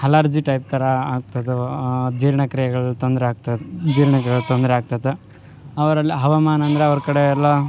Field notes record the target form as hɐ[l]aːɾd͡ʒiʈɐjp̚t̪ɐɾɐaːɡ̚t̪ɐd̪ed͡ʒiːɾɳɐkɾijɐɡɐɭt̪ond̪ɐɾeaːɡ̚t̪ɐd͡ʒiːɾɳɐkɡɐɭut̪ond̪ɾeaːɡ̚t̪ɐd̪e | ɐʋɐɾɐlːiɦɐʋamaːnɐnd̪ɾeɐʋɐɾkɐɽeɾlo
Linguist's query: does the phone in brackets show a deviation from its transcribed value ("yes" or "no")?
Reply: no